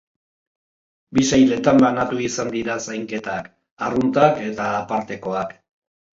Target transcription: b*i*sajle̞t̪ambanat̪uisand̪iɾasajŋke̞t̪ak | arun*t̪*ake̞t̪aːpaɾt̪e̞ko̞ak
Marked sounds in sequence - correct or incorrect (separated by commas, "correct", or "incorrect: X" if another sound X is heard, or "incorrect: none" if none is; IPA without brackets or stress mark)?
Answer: correct, correct